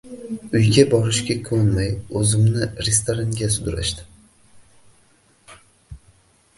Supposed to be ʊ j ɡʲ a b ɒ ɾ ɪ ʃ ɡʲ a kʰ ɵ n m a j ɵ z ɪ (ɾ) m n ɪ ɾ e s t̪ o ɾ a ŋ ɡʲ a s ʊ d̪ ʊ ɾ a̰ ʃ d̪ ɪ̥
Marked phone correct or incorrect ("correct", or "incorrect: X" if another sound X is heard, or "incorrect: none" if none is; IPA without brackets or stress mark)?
incorrect: none